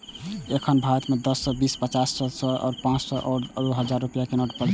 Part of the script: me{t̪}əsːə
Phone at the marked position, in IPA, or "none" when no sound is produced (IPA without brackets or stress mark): d̪